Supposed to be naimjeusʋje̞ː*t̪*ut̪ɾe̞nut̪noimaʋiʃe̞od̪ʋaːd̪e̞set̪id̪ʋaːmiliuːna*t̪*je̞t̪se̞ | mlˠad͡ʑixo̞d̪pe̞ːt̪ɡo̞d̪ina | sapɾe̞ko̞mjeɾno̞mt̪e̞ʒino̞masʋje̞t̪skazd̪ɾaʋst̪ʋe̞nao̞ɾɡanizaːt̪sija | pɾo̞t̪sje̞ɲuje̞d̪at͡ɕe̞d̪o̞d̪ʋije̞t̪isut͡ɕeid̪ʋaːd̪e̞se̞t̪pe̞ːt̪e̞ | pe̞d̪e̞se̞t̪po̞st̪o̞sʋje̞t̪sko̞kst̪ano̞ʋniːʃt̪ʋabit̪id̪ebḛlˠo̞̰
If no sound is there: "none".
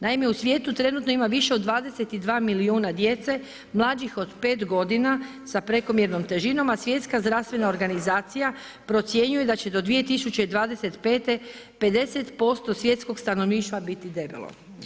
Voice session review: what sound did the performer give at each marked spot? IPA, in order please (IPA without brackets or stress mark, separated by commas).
t̪, d̪